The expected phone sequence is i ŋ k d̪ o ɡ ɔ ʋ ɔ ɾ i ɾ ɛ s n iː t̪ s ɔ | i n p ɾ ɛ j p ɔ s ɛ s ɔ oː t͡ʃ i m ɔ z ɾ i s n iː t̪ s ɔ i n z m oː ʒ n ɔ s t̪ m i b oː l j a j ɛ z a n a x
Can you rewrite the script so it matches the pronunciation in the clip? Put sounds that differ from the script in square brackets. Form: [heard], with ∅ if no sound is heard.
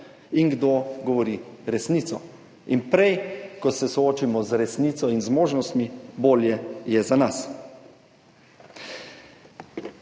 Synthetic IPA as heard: i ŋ [ɡ] d̪ o ɡ ɔ ʋ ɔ ɾ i ɾ ɛ s n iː t̪ s ɔ | i n p ɾ ɛ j [k] ɔ s ɛ s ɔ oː t͡ʃ i m ɔ z ɾ [ɛ] s n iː t̪ s ɔ i n z m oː ʒ n ɔ s t̪ m i b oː l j [ɛ] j ɛ z a n a [s]